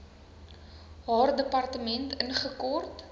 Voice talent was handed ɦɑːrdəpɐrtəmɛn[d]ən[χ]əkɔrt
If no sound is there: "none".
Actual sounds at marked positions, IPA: t, χ

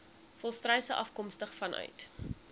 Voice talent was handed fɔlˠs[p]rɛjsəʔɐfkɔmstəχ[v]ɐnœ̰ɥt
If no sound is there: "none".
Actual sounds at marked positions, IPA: t, f

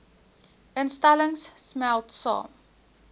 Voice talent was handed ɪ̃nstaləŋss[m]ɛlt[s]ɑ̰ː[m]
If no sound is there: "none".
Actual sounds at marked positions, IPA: m, s, m

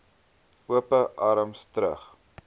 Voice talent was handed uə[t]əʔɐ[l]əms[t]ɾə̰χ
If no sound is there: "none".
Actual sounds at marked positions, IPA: p, ɾ, t

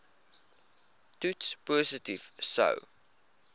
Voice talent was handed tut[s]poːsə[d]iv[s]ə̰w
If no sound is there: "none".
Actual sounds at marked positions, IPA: s, t, s

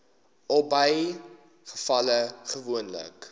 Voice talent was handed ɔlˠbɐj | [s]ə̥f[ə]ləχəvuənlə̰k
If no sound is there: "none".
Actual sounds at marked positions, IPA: χ, ɐ

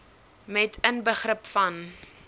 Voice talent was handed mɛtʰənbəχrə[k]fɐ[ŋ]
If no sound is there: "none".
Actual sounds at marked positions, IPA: p, n

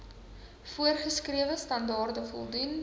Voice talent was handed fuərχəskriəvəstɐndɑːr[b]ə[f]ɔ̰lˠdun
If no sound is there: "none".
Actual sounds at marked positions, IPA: d, f

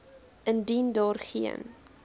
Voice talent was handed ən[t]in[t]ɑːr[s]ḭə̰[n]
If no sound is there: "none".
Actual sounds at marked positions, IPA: d, d, χ, n

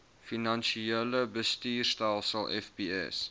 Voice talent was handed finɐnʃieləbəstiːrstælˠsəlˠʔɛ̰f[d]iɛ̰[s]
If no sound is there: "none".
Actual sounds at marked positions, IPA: b, s

